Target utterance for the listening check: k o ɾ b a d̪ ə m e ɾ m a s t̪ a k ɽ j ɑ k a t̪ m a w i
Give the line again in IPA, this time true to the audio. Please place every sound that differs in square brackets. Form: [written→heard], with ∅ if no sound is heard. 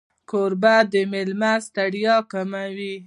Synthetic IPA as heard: k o ɾ b a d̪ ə m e [ɾ→l] m a s t̪ a [k→∅] ɽ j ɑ k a [t̪→∅] m a w i